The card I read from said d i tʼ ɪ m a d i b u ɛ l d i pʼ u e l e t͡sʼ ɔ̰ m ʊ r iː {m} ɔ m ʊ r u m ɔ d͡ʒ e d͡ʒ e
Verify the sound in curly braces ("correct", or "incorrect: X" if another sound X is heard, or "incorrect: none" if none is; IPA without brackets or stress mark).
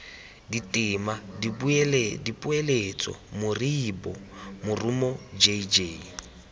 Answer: incorrect: b